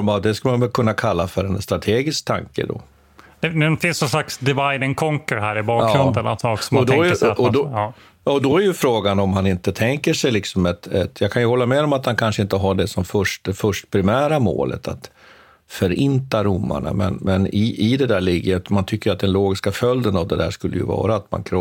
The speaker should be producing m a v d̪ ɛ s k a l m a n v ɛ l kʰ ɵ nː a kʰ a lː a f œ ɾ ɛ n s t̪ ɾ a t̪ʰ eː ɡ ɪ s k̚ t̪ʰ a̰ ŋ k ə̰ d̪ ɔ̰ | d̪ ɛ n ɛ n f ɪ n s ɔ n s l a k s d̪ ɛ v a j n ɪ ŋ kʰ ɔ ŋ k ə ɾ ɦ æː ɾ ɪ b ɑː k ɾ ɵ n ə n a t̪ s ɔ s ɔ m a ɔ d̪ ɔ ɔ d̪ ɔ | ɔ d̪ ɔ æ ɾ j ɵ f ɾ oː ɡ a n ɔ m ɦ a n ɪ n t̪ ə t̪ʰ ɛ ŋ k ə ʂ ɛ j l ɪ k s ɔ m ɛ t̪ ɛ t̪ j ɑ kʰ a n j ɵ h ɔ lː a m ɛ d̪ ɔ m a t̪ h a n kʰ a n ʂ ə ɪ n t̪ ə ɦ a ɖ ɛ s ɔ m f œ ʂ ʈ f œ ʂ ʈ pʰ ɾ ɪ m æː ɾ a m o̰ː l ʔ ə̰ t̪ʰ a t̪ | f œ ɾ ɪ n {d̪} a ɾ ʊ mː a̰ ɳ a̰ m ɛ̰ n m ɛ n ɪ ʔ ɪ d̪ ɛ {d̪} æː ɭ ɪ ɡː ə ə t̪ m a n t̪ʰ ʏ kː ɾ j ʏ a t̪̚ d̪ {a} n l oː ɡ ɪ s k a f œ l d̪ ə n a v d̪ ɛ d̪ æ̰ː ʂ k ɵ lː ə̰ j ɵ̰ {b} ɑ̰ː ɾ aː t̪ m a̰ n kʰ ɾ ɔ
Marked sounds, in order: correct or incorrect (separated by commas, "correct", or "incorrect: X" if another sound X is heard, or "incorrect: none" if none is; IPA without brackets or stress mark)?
incorrect: t̪, correct, incorrect: ɛ, incorrect: v